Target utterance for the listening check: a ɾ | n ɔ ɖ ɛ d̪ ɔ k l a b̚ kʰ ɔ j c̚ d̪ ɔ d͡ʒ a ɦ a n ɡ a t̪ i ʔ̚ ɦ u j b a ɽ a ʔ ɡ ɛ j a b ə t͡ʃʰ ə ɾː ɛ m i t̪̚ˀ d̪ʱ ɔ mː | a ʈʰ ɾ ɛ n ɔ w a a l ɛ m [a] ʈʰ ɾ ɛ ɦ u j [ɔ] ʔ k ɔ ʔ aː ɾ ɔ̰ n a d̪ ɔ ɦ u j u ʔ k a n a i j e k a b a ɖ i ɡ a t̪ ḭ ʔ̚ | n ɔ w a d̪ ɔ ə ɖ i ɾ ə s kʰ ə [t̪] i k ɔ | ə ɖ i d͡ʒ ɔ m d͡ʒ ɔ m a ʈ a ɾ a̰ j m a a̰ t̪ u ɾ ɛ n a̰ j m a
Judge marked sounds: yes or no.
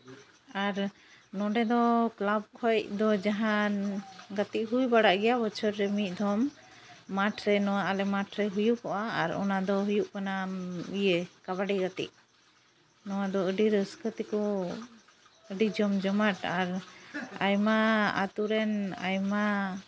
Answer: yes, no, yes

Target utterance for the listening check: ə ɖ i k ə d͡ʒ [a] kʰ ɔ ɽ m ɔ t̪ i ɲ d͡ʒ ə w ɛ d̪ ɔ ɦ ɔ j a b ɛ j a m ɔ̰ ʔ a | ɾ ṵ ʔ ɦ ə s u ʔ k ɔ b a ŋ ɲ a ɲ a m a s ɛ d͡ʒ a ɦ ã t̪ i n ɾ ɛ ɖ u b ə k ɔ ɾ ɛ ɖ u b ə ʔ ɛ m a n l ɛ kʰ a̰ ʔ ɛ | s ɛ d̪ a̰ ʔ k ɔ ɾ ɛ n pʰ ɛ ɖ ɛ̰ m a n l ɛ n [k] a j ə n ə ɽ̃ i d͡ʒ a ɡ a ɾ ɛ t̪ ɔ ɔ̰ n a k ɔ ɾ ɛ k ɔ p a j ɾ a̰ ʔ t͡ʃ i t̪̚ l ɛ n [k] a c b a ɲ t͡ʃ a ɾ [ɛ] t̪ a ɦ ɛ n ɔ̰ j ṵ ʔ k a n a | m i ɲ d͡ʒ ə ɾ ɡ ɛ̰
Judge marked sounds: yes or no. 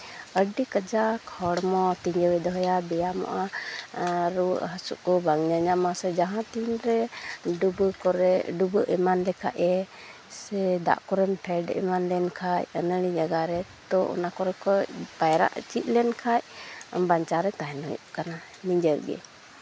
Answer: yes, no, no, yes

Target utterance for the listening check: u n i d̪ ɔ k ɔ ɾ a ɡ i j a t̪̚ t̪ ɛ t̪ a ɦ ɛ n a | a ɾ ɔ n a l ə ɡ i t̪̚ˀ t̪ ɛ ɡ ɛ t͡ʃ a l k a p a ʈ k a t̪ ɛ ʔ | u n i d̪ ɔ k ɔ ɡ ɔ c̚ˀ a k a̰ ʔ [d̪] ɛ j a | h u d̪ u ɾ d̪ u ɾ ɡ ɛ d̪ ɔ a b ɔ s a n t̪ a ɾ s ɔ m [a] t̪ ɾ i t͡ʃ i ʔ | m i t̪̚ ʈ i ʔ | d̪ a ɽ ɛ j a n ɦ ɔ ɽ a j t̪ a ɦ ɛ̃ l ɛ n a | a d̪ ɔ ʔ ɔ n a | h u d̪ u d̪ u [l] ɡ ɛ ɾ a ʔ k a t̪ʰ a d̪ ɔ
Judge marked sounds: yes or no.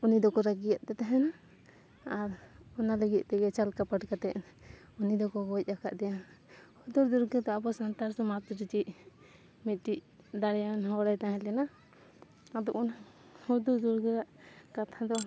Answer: yes, yes, no

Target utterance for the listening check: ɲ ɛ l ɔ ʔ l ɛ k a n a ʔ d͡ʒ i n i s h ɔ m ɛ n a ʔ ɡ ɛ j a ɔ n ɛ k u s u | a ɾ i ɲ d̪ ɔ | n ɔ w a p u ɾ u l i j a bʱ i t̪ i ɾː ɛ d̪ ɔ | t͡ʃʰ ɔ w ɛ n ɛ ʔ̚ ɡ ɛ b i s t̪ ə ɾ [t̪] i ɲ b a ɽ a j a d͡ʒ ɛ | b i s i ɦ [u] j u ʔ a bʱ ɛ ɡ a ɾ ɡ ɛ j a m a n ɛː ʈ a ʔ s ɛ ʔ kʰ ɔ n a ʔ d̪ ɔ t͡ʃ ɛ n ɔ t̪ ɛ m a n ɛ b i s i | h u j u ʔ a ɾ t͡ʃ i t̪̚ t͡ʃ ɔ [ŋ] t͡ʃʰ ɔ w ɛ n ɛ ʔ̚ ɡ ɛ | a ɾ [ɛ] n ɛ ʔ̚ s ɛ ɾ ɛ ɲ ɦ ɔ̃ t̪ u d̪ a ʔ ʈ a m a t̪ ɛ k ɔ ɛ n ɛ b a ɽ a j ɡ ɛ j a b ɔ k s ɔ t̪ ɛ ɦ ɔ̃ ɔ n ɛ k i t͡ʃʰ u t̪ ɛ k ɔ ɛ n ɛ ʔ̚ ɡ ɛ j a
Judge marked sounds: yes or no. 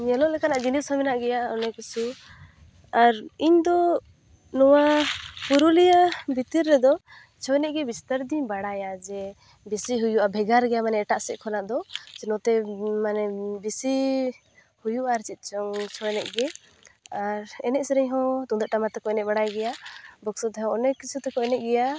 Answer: no, yes, yes, yes

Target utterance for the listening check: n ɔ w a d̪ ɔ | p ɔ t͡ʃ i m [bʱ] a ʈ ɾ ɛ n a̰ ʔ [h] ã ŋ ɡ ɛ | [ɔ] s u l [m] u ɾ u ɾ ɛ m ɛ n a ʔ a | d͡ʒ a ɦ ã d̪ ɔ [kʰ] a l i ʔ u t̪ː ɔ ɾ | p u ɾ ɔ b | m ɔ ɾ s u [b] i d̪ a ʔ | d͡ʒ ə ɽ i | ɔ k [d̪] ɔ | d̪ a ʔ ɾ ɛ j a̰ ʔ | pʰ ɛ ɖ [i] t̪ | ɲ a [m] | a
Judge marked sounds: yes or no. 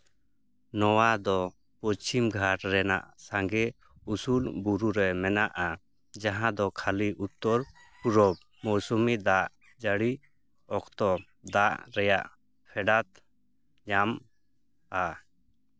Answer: no, no, no, no, yes, no, no, no, yes

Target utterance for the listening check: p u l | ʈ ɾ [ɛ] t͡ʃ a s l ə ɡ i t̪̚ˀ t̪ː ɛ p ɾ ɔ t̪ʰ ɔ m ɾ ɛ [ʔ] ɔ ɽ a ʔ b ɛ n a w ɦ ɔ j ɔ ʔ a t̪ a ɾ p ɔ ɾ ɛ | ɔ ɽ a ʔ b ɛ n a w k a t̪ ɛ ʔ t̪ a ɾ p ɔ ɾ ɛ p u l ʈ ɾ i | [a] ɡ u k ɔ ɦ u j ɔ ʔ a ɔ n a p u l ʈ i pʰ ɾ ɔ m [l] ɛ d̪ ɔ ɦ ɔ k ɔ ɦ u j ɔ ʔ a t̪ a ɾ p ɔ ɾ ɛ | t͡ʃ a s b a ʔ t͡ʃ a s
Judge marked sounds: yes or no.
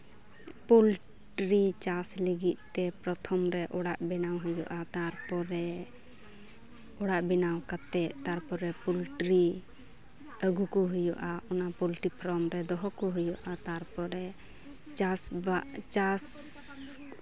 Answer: no, yes, no, no

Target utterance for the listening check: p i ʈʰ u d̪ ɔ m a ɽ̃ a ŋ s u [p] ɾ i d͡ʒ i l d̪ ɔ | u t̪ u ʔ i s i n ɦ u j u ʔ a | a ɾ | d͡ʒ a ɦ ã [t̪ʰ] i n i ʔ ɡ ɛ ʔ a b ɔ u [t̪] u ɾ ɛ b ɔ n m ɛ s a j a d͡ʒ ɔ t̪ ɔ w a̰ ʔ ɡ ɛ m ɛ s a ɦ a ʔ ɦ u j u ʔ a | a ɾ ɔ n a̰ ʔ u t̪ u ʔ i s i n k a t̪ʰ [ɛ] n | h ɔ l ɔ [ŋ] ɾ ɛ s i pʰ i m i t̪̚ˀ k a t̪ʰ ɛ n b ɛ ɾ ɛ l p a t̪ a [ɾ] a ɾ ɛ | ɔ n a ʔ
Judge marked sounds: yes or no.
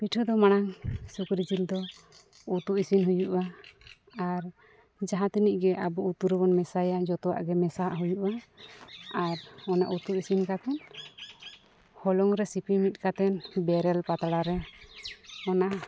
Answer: no, no, yes, yes, yes, no

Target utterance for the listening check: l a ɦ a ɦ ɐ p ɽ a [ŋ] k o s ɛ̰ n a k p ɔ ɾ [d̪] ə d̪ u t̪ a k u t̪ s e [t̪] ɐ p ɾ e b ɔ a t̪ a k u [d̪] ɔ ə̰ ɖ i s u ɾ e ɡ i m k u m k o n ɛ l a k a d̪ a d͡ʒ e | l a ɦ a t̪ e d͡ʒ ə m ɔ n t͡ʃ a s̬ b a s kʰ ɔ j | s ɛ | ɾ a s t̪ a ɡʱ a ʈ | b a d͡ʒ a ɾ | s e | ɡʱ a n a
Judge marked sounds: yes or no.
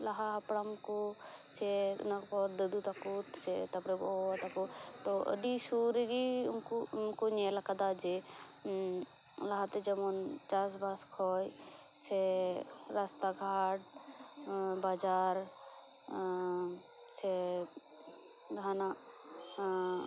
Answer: no, yes, yes, no

